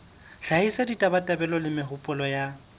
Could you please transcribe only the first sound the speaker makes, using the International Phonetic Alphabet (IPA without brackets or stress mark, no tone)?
ɬ